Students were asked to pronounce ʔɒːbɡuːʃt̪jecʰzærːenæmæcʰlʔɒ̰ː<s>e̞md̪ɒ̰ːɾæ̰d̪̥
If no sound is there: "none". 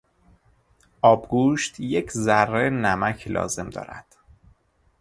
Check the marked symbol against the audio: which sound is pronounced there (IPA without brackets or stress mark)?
z